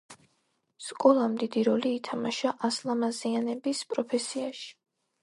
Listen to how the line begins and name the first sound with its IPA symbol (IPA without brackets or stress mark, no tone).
s